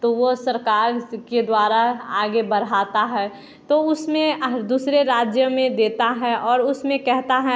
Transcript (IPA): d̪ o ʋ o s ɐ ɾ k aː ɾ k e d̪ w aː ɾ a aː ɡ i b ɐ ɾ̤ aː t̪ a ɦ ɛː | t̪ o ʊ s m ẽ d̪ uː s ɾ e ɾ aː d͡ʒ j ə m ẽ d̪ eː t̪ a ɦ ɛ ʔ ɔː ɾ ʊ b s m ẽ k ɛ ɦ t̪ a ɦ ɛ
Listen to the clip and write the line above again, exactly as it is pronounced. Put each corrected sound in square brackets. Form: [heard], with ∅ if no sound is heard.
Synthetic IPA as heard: [t̪] o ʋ o s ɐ ɾ k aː ɾ k e d̪ w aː ɾ a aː ɡ [e] b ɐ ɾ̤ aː t̪ a ɦ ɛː | t̪ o ʊ s m ẽ d̪ uː s ɾ e ɾ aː d͡ʒ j ə m ẽ d̪ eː t̪ a ɦ ɛ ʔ ɔː ɾ ʊ [∅] s m ẽ k ɛ ɦ t̪ a ɦ ɛ